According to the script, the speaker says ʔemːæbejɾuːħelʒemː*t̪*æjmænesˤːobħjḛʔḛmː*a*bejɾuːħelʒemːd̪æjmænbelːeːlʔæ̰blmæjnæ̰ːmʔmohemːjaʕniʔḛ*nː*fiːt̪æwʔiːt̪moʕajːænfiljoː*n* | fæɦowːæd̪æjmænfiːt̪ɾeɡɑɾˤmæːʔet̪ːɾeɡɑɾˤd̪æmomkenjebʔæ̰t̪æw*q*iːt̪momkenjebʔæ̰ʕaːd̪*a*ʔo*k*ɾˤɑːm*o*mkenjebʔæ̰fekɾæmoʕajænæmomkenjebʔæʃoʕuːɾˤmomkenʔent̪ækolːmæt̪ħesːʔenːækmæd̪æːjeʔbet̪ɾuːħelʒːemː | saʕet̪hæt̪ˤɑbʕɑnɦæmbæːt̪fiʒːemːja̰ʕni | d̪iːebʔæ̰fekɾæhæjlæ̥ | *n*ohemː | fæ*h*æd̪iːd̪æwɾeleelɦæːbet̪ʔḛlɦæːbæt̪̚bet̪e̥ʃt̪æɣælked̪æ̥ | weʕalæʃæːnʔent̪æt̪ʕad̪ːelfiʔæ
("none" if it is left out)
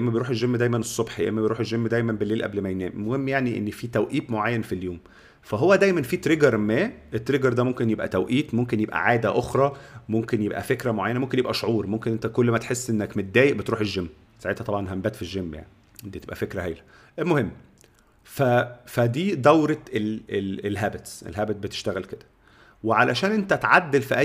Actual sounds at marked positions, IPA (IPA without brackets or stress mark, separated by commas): d̪, æ, nː, m, ʔ, æ, x, o, m, f